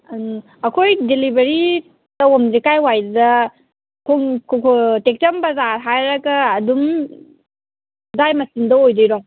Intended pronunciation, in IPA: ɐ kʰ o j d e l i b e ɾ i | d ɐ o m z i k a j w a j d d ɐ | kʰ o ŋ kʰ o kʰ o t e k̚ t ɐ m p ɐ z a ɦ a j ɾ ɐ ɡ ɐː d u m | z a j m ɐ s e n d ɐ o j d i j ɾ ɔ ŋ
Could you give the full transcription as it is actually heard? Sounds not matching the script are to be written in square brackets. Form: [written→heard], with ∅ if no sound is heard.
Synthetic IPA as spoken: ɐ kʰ o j d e l i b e ɾ i | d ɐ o m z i k a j w a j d d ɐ | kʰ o ŋ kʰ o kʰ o t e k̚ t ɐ m [p→b] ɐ z a ɦ a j ɾ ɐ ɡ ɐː d u m | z a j m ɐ s [e→i] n d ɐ o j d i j ɾ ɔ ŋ